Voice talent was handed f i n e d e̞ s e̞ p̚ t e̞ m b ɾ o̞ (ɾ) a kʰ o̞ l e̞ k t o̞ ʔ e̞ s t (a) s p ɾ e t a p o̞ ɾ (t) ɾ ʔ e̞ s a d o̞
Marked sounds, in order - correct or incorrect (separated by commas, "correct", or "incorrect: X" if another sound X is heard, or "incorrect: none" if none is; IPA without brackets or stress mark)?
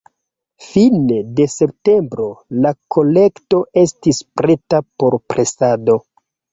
incorrect: l, incorrect: i, incorrect: p